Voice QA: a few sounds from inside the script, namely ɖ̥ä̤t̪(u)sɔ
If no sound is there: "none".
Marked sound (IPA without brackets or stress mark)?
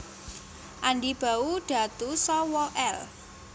u